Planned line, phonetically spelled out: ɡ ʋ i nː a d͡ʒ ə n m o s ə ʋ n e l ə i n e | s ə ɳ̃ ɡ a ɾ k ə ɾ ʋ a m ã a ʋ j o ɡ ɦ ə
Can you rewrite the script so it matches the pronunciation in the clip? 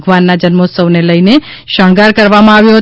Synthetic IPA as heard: ɡ ʋ a nː a d͡ʒ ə n m o s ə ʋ n e l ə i n e | ʃ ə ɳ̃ ɡ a ɾ k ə ɾ ʋ a m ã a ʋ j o ɦ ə